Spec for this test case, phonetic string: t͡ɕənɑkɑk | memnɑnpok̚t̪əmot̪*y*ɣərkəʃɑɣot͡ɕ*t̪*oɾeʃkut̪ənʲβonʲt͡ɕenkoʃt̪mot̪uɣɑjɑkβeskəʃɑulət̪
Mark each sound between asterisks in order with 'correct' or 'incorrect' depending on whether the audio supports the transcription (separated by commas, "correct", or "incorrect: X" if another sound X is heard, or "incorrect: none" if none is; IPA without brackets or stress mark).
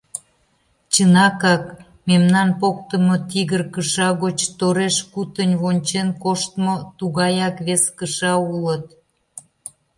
incorrect: i, correct